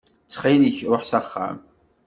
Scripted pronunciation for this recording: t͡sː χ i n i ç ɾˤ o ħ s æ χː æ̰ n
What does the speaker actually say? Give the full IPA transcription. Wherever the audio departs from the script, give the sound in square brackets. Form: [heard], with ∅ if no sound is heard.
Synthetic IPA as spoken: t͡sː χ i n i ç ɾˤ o ħ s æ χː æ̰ [m]